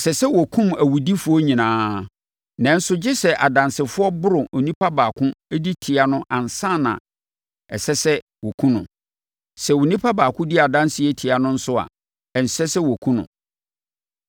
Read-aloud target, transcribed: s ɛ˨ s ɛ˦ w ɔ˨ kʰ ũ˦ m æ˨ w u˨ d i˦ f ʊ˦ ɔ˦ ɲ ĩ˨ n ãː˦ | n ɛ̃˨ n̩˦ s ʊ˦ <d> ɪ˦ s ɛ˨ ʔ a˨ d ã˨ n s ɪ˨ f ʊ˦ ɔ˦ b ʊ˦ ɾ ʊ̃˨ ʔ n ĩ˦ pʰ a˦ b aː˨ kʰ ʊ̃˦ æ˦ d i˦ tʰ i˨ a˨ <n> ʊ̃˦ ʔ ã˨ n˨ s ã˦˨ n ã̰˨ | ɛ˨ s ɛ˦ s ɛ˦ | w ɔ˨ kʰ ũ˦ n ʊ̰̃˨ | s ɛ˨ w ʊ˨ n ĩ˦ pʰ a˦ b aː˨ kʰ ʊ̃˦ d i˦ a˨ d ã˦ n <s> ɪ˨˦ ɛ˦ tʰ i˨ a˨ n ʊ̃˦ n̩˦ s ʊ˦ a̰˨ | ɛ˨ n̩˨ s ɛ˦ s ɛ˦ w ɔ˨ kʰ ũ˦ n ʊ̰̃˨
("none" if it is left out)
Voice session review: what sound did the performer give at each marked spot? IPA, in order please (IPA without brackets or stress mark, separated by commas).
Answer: d͡ʑ, n, s